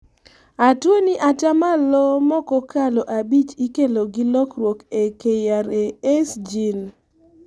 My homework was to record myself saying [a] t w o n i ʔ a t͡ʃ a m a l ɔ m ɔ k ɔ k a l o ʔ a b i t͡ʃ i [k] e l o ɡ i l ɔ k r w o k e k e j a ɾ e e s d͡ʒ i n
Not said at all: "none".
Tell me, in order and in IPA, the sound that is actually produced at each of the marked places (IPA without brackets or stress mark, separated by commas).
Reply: a, k